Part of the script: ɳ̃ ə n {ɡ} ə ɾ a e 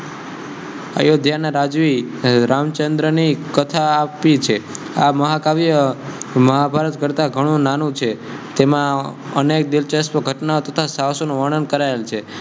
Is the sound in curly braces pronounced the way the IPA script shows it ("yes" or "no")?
no